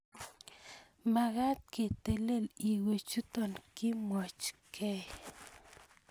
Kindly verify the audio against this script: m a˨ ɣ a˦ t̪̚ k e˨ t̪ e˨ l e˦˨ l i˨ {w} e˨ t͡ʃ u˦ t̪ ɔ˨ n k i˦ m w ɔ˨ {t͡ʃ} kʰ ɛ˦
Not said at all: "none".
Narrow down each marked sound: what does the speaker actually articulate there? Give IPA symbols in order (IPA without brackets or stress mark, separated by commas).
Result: w, t͡ʃ